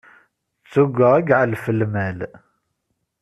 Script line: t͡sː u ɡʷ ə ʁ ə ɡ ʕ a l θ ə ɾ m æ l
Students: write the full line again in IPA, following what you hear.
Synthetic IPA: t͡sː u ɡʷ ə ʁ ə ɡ ʕ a l f ə l m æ l